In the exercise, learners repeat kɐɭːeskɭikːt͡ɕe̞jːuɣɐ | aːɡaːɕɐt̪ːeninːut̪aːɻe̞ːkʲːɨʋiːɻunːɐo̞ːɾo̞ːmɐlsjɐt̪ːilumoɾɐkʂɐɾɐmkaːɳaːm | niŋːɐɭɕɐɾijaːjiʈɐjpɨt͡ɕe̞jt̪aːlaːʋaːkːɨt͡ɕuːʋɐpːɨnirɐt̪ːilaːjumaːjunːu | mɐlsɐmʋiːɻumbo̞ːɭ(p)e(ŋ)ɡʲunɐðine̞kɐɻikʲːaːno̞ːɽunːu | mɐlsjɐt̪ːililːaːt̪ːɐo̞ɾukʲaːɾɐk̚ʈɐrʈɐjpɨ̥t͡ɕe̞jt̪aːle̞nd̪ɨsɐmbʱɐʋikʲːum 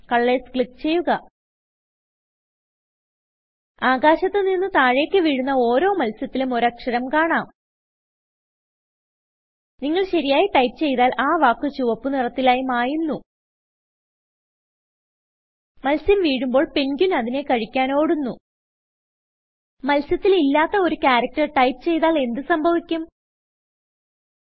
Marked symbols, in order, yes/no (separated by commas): yes, no